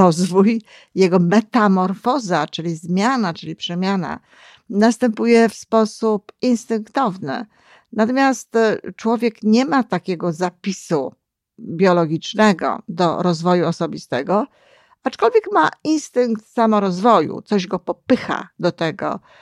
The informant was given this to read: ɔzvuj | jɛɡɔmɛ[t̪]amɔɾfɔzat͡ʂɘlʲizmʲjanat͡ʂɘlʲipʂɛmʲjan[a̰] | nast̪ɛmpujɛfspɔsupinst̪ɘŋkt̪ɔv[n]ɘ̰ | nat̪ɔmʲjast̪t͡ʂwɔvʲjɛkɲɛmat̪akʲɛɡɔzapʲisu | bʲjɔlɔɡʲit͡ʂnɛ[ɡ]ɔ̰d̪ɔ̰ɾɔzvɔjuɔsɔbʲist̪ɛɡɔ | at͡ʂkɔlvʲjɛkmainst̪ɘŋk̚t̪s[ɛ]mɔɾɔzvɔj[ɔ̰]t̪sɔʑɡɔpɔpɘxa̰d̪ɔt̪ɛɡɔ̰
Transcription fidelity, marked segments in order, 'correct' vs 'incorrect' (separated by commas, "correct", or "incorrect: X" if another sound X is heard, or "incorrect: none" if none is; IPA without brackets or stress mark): correct, correct, correct, correct, incorrect: a, incorrect: ṵ